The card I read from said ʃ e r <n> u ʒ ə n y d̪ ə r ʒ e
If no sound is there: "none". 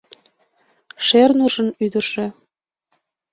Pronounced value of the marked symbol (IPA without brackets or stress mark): n